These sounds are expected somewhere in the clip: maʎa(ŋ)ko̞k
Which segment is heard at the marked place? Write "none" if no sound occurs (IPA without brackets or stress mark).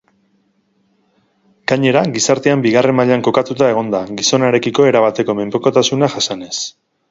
ŋ